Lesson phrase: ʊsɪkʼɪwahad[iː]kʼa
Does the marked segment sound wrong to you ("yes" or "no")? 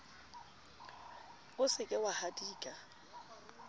no